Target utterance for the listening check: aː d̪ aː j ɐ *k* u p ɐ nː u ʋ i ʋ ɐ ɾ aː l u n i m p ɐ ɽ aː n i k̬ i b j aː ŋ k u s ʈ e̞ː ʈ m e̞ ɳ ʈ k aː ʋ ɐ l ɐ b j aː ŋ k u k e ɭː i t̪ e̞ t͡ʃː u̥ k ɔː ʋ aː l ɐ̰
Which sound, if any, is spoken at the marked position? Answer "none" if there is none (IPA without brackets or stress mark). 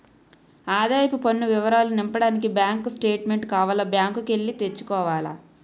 p